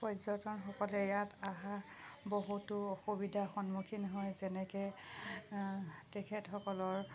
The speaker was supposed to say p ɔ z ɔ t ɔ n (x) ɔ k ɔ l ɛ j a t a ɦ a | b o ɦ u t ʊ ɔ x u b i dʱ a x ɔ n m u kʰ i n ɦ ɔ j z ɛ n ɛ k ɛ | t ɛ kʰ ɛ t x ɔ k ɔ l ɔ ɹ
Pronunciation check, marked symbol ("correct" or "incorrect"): correct